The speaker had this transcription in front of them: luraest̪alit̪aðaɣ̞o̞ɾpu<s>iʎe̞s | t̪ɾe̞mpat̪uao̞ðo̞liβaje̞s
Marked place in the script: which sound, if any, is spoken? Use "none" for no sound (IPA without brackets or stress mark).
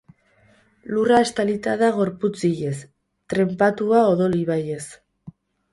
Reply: t͡s